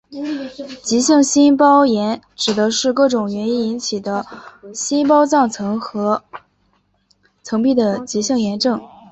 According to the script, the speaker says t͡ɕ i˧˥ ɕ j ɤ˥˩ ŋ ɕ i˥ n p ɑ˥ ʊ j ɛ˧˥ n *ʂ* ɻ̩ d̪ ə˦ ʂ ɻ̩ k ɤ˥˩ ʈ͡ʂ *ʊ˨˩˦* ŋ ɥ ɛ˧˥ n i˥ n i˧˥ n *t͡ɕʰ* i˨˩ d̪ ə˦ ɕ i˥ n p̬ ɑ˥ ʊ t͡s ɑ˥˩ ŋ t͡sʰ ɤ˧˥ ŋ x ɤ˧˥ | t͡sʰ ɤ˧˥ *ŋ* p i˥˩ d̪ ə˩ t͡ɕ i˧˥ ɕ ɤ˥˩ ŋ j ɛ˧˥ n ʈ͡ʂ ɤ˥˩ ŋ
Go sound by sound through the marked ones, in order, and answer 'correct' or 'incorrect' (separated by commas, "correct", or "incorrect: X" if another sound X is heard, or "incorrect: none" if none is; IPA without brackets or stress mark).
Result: incorrect: ʈ͡ʂ, incorrect: ʊ˨˩, correct, correct